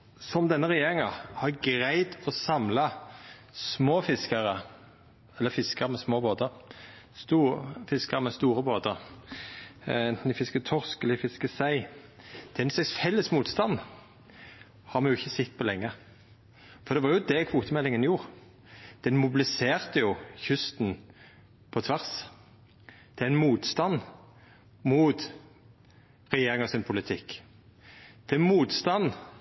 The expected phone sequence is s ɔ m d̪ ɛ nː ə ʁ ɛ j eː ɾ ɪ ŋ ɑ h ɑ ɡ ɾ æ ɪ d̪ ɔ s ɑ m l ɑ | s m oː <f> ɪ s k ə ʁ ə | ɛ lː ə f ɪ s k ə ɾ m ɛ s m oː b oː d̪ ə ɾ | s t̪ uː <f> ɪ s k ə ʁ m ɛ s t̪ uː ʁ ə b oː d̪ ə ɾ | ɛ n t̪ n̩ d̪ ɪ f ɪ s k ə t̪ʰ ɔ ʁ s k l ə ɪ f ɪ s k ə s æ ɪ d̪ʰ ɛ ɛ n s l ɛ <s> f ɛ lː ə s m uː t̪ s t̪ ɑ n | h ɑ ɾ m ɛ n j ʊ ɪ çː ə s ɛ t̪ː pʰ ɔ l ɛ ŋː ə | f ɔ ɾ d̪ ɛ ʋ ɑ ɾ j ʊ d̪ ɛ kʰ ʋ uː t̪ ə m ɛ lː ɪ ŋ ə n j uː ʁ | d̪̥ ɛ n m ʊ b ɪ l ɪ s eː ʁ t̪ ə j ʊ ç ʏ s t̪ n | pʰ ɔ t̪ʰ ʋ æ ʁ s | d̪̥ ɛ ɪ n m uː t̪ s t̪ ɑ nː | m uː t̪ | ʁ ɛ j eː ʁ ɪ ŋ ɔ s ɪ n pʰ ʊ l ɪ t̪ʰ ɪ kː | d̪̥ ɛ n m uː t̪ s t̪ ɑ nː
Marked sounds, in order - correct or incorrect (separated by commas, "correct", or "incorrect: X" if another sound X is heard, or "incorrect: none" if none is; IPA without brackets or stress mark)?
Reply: correct, correct, correct